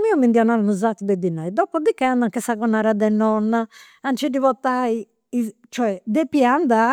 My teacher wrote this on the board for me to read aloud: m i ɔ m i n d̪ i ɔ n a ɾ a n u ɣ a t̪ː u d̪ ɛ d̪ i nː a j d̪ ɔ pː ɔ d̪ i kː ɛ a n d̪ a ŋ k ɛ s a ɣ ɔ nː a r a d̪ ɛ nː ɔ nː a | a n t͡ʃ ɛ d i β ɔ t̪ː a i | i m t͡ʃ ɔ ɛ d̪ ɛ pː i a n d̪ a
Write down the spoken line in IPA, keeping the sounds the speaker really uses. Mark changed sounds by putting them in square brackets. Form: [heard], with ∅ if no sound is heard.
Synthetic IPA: m i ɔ m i n d̪ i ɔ n a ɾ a n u [z] a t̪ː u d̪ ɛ d̪ i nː a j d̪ ɔ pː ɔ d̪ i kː ɛ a n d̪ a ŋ k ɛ s a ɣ ɔ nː a [ɾ] a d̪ ɛ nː ɔ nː a | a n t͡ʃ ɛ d i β ɔ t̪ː a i | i [∅] t͡ʃ ɔ ɛ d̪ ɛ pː i a n d̪ a